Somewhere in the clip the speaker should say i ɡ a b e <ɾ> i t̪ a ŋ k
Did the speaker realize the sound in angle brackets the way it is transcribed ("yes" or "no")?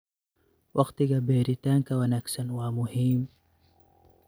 yes